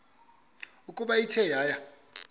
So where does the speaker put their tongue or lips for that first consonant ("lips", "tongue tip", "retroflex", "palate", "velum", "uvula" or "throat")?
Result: velum